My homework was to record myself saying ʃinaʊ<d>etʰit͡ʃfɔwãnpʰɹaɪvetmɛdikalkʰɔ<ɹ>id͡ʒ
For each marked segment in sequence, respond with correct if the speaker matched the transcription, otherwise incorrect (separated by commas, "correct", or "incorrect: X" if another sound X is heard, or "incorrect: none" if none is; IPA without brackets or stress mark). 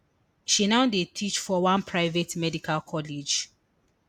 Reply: correct, incorrect: l